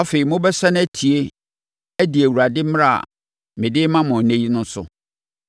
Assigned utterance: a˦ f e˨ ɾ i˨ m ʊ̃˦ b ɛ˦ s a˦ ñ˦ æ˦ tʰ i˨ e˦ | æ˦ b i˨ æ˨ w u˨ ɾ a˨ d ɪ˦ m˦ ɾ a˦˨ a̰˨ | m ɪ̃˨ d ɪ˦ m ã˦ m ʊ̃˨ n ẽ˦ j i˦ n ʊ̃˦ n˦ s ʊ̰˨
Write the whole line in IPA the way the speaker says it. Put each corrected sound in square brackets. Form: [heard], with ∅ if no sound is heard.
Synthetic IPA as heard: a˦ f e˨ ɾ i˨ m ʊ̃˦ b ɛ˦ s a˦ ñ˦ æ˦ tʰ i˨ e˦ | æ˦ [d] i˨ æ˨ w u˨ ɾ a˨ d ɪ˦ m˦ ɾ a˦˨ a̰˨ | m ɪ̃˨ d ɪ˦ m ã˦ m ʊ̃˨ n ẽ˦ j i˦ n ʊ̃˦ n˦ s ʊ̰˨